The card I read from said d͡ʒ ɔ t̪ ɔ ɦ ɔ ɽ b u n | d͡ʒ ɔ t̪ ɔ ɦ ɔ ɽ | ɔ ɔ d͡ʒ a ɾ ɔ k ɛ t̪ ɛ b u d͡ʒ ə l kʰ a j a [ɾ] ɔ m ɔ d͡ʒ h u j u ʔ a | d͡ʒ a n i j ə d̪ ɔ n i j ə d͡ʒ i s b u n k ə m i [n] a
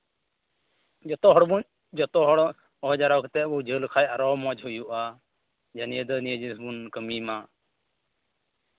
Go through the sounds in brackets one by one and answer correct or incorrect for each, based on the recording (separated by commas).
correct, incorrect